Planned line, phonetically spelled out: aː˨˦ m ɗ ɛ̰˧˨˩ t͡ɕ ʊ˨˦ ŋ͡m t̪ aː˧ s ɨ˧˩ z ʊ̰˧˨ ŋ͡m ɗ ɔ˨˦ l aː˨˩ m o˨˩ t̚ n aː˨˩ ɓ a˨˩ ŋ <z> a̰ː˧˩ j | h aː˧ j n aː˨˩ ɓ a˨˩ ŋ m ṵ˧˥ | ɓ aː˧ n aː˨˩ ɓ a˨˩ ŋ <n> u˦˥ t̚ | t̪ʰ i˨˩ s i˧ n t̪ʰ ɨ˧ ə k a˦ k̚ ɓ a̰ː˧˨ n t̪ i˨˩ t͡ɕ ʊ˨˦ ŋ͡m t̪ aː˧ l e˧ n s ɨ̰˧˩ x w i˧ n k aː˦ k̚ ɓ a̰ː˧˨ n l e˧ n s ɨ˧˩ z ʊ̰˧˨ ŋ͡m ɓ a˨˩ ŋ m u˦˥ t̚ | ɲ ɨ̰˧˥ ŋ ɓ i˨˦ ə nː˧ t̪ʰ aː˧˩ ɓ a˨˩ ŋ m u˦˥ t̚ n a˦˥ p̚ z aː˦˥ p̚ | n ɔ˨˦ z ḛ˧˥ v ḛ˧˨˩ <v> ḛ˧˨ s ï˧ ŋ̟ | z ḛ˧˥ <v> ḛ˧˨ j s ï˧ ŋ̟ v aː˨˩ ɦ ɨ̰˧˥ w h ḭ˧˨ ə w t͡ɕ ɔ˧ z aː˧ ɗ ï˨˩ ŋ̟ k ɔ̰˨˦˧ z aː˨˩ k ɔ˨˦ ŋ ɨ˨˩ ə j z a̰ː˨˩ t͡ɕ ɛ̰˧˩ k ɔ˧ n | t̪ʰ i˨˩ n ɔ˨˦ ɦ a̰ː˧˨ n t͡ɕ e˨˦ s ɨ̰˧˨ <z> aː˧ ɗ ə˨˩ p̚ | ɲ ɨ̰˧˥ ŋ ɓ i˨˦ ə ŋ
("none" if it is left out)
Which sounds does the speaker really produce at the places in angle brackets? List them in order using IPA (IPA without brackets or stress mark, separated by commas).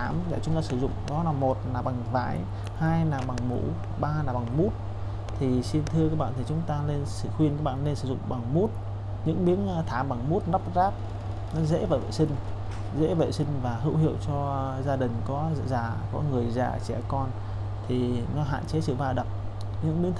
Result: v, m, v, v, v